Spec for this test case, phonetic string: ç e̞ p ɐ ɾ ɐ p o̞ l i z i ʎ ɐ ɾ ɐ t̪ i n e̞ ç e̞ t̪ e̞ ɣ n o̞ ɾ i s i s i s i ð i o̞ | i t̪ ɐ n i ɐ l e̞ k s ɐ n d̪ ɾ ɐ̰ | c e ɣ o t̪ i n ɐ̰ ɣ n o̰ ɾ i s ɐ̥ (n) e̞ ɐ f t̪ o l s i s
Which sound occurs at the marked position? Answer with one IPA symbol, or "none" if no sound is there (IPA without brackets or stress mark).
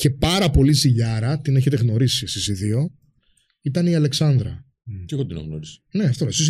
n